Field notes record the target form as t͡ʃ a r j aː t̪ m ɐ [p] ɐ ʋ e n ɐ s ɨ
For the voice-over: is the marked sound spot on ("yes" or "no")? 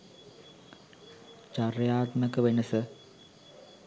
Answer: no